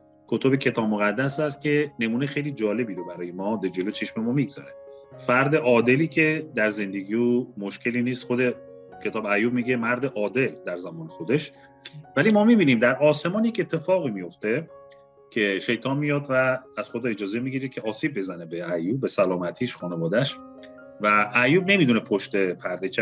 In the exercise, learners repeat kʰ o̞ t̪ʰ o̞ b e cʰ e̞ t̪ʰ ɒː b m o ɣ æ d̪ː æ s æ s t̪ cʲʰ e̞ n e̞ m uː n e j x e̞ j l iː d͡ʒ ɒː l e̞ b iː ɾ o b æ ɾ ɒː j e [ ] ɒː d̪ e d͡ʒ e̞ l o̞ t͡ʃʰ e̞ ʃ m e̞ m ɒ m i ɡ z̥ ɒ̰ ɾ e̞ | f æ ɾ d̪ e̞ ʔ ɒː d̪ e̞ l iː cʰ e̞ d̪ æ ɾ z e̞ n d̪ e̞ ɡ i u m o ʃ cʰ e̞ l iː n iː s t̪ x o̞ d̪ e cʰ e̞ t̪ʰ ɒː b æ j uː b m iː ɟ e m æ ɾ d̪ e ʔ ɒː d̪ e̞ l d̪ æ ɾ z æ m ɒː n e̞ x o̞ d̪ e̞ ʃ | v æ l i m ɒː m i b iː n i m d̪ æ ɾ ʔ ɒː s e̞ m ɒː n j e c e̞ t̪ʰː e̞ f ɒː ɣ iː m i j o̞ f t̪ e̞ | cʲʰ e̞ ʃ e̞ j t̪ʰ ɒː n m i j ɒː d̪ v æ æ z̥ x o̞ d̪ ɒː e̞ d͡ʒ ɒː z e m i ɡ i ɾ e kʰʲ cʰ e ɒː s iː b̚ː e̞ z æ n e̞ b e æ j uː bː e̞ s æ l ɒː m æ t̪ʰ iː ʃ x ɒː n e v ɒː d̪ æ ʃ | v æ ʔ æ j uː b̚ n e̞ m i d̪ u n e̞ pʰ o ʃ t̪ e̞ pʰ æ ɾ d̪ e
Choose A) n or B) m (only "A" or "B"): B